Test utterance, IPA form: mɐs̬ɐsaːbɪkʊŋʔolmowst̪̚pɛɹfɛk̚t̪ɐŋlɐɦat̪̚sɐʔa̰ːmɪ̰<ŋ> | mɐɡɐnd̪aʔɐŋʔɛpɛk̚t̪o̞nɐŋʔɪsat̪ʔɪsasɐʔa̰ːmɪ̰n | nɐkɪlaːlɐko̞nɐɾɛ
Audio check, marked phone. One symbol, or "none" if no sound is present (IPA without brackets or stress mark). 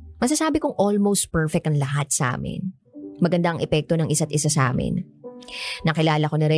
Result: n